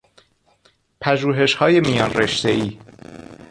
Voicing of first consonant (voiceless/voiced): voiceless